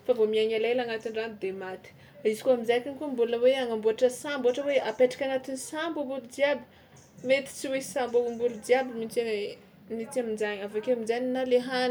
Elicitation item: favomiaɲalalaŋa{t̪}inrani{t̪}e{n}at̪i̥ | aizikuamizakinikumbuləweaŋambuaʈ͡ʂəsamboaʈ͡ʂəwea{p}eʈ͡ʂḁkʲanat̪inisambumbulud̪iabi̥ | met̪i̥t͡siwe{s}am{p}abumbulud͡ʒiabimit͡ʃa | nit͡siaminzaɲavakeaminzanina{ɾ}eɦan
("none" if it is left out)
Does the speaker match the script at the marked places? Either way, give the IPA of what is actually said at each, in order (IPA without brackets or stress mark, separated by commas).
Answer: t̪, d̪, m, p, s, b, l